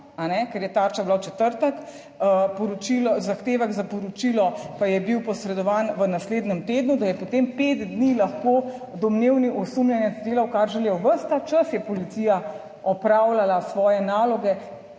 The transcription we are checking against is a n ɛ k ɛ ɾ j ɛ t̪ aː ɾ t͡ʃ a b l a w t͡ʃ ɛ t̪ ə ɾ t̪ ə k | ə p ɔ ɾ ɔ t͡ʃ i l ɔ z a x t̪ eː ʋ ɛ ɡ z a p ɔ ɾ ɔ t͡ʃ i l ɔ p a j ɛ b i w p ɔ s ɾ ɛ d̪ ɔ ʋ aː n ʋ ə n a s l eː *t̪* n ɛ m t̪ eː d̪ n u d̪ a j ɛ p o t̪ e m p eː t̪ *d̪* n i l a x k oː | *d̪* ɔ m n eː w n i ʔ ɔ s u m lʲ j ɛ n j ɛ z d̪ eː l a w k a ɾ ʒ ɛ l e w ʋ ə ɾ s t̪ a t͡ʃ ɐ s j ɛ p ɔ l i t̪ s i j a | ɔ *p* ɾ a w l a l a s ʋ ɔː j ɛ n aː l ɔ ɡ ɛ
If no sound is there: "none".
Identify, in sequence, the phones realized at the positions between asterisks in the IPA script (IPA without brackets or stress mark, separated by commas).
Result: d̪, d̪, d̪, p